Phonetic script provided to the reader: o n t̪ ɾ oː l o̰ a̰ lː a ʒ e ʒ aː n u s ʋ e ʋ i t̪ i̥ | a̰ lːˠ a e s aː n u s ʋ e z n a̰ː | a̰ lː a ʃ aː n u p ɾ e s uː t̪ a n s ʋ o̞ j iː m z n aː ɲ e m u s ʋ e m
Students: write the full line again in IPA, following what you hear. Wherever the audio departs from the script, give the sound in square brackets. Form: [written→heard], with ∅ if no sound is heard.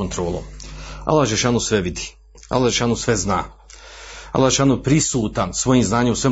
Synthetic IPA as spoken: o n t̪ ɾ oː l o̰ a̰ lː a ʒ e [ʒ→ʃ] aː n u s ʋ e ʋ i [t̪→d̪] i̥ | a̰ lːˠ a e [s→ʃ] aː n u s ʋ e z n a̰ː | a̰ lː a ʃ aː n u p ɾ [e→i] s uː t̪ a n s ʋ o̞ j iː m z n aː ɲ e m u s ʋ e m